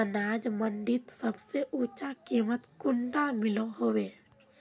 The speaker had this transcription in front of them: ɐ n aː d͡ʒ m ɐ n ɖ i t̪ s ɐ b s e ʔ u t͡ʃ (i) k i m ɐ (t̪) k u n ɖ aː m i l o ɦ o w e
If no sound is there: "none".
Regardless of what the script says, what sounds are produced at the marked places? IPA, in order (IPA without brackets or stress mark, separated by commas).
a, t̪